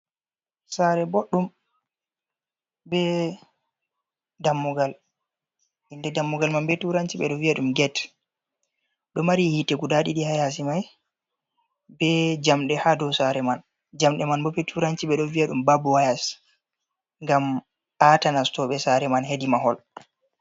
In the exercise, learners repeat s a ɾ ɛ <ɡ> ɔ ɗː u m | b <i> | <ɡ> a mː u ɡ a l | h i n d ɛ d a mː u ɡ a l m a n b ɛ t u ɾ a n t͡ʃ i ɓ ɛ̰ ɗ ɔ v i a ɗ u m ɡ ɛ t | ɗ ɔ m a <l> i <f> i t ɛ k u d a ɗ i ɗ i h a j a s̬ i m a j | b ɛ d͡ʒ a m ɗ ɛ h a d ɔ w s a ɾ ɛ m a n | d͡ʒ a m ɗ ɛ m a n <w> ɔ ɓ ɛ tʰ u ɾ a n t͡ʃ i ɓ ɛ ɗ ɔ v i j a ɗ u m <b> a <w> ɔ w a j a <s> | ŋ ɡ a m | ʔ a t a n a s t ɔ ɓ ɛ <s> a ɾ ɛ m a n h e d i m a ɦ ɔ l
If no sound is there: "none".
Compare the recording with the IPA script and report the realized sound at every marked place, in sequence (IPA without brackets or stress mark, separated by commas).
b, ɛ, d, ɾ, h, b, b, b, s, s